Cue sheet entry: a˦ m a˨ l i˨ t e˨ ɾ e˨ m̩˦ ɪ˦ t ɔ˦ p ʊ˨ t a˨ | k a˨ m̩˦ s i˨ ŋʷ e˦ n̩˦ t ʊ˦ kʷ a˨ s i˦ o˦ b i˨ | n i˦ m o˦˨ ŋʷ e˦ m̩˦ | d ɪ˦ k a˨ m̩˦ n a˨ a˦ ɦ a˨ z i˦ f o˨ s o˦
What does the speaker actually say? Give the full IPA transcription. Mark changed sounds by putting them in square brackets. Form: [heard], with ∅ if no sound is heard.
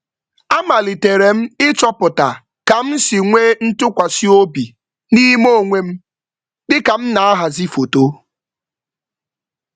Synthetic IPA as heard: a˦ m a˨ l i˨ t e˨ ɾ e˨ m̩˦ ɪ˦ [t͡ʃ] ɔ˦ p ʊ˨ t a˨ | k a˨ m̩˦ s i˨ ŋʷ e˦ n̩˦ t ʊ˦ kʷ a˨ s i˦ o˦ b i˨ | n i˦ m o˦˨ ŋʷ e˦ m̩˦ | d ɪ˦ k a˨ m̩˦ n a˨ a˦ ɦ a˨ z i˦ f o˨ [t] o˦